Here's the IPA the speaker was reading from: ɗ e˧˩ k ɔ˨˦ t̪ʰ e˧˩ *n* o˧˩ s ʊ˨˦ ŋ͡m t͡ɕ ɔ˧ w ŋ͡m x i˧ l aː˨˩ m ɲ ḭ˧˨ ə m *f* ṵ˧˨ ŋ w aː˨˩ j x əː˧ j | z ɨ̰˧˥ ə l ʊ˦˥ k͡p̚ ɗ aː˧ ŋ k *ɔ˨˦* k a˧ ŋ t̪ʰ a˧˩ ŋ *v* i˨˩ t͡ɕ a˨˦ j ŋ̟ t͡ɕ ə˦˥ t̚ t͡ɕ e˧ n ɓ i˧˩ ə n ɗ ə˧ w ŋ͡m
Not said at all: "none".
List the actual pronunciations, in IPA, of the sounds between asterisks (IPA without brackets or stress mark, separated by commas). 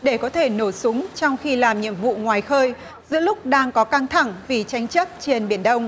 n, v, ɔ˨˦, v